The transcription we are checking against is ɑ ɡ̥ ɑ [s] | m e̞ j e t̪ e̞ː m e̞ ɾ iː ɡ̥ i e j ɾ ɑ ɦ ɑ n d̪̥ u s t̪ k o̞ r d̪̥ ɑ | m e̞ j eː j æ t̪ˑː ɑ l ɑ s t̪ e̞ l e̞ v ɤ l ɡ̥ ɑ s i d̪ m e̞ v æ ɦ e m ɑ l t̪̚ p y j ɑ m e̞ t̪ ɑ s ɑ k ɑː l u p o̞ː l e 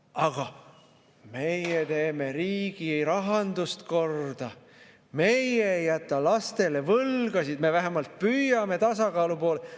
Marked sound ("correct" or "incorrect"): incorrect